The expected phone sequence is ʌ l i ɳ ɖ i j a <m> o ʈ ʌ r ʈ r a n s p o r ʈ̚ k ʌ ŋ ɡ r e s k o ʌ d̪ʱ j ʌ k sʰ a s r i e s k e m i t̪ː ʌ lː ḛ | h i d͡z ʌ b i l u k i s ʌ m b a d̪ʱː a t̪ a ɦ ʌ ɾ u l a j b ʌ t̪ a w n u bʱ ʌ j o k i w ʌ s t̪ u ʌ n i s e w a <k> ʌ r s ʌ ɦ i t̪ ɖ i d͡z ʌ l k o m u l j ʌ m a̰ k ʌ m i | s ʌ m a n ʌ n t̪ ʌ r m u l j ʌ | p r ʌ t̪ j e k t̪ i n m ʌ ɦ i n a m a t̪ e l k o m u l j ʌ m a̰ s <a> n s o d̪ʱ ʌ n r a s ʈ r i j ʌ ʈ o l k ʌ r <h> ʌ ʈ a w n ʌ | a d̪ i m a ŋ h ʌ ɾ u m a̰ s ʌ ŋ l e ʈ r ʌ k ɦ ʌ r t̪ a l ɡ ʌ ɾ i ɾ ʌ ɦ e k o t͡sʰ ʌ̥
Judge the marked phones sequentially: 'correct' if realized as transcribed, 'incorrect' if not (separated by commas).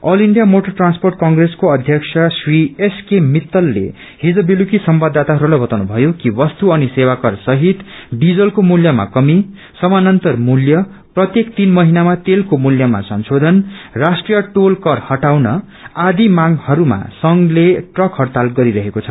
correct, correct, incorrect, correct